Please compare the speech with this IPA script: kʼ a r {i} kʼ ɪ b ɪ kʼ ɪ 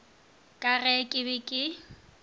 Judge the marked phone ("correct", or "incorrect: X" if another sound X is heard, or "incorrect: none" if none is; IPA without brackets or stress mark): incorrect: ɛ